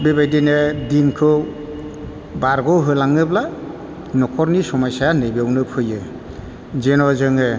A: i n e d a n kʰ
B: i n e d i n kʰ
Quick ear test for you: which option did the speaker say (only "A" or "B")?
B